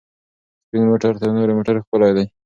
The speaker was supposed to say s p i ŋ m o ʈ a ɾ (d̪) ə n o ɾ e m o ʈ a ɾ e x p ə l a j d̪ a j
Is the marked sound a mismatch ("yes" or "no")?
yes